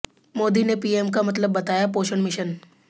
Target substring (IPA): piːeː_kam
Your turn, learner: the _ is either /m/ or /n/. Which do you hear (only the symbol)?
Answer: m